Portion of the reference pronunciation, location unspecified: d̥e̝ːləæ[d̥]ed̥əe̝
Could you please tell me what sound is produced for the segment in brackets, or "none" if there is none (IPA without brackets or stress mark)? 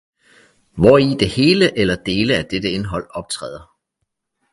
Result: d̥